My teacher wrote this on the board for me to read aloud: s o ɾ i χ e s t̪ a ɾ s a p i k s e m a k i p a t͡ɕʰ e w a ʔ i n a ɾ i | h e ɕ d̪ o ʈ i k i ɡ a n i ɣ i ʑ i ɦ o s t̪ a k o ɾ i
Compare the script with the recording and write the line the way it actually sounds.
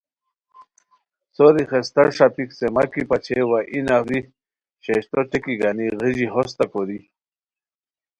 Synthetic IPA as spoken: s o ɾ i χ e s t̪ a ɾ ʂ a p i k s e m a k i p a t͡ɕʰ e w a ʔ i n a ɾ i | ɕ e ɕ t̪ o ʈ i k i ɡ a n i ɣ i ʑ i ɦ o s t̪ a k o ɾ i

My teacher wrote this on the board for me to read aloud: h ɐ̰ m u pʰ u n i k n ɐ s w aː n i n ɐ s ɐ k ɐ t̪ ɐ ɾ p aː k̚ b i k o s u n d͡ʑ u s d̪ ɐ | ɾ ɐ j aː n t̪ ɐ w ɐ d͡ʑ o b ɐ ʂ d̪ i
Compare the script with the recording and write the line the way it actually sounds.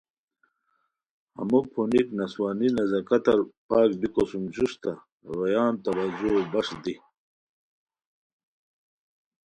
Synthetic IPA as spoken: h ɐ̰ m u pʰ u n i k n ɐ s w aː n i n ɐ z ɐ k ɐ t̪ ɐ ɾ p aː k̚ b i k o s u m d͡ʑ u s t̪ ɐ | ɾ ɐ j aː n t̪ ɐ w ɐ d͡ʑ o b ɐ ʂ d̪ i

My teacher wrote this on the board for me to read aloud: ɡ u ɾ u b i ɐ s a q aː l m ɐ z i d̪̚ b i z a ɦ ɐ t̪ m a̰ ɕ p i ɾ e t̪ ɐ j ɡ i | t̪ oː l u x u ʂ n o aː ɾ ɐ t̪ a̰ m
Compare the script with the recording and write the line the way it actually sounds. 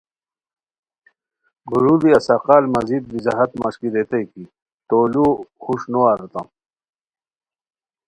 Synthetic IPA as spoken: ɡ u ɾ u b i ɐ s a q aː l m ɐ z i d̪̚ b i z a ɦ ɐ t̪ m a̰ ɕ k i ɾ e t̪ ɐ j k i | t̪ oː l u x u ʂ n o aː ɾ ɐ t̪ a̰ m

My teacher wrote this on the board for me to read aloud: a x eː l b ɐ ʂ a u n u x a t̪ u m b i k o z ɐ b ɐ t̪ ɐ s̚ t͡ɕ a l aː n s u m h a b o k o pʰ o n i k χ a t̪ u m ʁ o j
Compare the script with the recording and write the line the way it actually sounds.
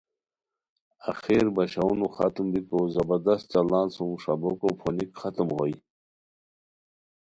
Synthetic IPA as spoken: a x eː ɾ b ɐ ɕ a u n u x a t̪ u m b i k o z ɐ b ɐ d̪ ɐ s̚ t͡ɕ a l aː n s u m ʂ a b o k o pʰ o n i k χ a t̪ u m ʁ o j

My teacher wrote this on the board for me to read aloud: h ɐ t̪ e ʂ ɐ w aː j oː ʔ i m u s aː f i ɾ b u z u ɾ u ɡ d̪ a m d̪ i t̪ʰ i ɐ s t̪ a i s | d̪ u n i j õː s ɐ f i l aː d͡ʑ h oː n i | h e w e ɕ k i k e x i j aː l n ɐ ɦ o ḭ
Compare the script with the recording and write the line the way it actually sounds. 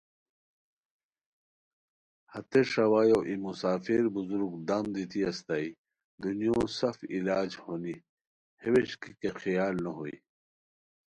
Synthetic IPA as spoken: h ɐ t̪ e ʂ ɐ w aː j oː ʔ i m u s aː f i ɾ b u z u ɾ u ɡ d̪ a m d̪ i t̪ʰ i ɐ s t̪ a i | d̪ u n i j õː s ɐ f i l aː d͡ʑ h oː n i | h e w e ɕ k i k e x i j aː l n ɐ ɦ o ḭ

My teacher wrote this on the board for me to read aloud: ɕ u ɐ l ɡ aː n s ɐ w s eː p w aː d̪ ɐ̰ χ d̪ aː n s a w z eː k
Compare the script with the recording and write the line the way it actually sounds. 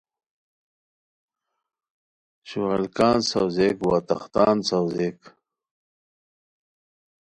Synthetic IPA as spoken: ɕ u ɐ l k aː n s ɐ w z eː k w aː t̪ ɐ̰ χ t̪ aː n s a w z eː k

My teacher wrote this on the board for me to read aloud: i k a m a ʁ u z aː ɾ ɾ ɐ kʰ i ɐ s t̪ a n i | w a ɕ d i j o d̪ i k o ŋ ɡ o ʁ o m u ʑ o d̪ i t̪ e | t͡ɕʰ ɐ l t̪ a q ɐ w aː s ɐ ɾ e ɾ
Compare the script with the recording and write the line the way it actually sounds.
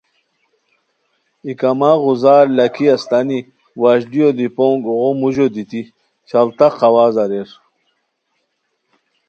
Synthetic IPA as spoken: i k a m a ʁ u z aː ɾ l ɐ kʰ i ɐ s t̪ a n i | w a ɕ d i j o d̪ i p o ŋ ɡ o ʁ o m u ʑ o d̪ i t̪ i | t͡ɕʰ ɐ l t̪ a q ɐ w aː z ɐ ɾ e ɾ

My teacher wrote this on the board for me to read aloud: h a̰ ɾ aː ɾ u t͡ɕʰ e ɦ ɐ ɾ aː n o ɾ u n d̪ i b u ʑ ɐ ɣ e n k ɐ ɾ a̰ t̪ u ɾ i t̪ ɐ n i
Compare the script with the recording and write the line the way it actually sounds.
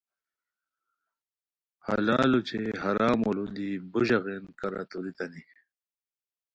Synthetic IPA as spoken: h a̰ l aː l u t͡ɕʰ e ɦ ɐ ɾ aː m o l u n d̪ i b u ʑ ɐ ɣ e n k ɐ ɾ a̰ t̪ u ɾ i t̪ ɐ n i

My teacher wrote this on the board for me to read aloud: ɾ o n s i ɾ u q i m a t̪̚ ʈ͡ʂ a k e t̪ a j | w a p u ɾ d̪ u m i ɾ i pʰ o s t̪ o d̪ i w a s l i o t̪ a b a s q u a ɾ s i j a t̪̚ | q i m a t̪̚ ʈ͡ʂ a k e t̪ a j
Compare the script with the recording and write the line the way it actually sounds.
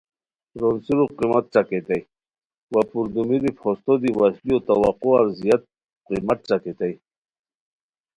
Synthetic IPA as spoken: ɾ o n s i ɾ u q i m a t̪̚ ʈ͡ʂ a k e t̪ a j | w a p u ɾ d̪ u m i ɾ i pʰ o s t̪ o d̪ i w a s l i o t̪ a w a q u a ɾ z i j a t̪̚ | q i m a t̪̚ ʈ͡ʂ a k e t̪ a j

